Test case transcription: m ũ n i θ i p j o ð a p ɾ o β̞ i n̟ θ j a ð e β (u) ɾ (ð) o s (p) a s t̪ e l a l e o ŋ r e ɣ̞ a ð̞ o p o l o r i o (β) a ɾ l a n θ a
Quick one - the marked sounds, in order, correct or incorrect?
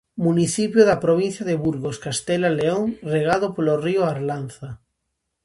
correct, incorrect, incorrect, incorrect

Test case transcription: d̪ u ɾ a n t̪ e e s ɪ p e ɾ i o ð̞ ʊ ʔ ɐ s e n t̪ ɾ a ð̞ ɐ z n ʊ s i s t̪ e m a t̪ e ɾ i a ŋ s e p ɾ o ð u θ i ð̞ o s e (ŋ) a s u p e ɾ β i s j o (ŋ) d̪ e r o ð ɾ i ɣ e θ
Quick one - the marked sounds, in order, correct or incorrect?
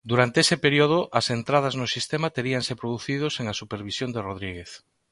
correct, incorrect

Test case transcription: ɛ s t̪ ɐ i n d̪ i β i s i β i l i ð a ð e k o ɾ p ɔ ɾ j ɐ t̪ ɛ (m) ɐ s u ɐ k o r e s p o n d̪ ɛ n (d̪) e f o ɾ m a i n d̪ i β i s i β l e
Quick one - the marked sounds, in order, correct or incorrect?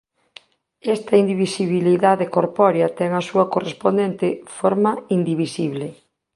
incorrect, incorrect

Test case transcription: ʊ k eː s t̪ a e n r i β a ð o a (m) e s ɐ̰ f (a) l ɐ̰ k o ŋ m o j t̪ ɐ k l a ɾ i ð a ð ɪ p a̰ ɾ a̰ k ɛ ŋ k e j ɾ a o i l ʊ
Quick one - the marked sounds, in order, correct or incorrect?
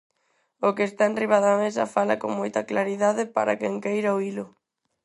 correct, correct

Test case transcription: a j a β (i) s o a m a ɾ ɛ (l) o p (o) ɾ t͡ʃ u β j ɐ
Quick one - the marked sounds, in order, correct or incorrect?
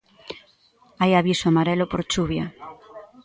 correct, correct, correct

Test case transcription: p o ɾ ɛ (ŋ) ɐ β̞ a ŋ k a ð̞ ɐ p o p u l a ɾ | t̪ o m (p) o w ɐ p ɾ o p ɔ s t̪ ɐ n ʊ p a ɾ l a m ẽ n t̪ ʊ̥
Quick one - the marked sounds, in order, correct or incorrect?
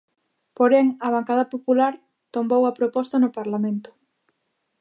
correct, incorrect

